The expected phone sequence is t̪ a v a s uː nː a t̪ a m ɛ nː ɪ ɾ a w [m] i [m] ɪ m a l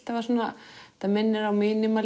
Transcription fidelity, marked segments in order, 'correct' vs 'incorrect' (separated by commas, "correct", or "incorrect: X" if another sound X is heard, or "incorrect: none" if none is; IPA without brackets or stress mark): correct, incorrect: n